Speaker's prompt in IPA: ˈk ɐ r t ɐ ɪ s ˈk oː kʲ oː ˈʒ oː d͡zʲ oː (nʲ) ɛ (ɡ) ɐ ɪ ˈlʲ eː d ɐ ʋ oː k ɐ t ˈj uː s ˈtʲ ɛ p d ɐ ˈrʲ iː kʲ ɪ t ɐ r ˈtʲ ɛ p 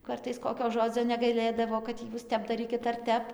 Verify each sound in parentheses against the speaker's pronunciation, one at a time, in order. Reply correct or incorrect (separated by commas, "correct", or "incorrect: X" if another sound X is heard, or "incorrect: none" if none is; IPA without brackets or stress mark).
correct, correct